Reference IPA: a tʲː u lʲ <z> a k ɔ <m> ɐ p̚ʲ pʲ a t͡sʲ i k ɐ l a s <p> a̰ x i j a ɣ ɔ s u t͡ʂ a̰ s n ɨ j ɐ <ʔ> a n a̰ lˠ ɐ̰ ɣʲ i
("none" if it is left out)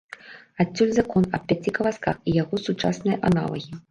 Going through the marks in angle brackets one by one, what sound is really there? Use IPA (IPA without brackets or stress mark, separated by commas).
z, n, k, ʔ